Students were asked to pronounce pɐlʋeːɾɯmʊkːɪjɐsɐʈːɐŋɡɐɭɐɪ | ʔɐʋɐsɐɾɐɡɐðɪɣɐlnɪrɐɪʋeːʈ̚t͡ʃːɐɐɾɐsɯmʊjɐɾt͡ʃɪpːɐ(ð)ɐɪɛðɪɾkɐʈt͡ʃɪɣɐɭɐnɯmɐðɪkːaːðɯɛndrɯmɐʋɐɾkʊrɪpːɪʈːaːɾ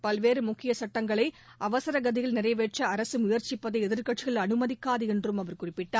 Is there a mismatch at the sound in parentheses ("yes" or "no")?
no